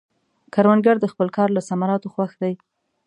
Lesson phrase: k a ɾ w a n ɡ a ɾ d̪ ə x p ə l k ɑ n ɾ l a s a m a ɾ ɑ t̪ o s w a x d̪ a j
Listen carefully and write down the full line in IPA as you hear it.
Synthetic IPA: k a ɾ w a n ɡ a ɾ d̪ ə x p ə l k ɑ ɾ l a s a m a ɾ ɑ t̪ o x w a x d̪ a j